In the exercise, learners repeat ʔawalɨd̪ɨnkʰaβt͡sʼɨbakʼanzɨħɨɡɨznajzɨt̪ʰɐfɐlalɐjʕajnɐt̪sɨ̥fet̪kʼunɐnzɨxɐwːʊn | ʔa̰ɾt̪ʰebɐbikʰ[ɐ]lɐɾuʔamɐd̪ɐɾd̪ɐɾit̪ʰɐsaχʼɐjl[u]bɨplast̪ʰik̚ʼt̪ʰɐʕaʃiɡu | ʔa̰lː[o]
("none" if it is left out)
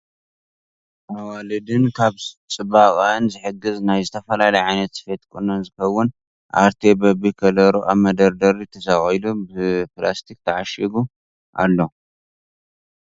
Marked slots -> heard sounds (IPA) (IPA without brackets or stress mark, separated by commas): ɐ, u, o